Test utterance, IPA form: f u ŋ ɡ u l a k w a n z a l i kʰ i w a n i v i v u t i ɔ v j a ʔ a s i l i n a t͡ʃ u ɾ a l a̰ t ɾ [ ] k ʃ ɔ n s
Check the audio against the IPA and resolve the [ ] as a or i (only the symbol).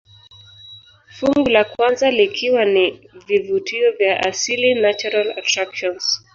a